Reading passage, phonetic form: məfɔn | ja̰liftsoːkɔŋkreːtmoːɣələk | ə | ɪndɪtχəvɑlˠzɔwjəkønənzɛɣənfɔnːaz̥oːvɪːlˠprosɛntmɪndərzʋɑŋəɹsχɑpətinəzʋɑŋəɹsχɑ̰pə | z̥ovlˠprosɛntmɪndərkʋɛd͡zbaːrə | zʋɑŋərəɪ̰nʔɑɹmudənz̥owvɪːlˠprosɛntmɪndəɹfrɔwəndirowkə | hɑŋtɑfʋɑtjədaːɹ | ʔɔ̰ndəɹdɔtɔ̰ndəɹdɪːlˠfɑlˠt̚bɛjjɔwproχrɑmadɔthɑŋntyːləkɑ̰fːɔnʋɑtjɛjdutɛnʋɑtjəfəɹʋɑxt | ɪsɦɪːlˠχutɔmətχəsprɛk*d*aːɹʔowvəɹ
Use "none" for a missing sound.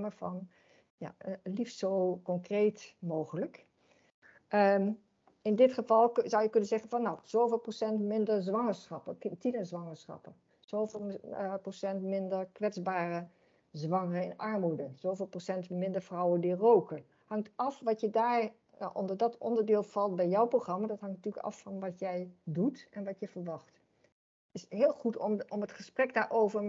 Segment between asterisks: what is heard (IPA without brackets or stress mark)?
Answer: d